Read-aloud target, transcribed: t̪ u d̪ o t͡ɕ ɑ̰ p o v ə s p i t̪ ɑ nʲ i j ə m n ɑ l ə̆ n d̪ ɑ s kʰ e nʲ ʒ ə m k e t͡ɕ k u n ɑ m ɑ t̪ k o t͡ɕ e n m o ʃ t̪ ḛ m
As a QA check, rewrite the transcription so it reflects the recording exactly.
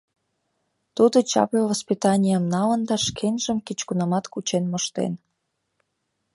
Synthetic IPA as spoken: t̪ u d̪ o t͡ɕ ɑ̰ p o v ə s p i t̪ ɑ nʲ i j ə m n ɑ l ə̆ n d̪ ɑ ʃ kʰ e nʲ ʒ ə m k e t͡ɕ k u n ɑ m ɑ t̪ k u t͡ɕ e n m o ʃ t̪ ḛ n